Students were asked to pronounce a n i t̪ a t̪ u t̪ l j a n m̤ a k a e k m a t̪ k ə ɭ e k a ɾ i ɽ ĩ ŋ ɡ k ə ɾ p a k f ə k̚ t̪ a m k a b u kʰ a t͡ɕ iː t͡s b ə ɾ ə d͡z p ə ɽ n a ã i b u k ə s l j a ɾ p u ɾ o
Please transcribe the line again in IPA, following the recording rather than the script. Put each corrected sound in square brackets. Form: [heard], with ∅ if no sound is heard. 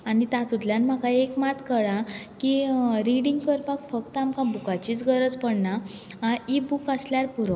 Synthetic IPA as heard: a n i t̪ a t̪ u t̪ l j a n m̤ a k a e k m a t̪ k ə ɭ [a] k [i] ɾ i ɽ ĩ ŋ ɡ k ə ɾ p a k f ə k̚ t̪ a m k a b u [k] a t͡ɕ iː t͡s [ɡ] ə ɾ ə d͡z p ə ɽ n a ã i b u k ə s l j a ɾ p u ɾ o